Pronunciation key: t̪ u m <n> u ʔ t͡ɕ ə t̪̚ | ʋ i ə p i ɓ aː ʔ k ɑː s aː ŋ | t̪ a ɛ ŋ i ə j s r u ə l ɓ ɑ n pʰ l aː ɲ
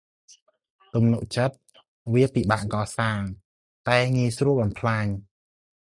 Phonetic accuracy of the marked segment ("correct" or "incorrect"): correct